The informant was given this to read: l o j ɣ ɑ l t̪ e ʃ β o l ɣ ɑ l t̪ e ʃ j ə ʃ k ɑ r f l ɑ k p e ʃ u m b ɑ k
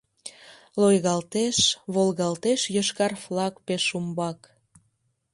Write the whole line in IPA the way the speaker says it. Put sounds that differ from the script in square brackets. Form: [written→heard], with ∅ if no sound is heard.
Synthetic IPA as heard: l o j ɣ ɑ l t̪ e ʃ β o l ɣ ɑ l t̪ e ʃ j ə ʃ k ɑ r f l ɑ k p e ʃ u m b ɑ k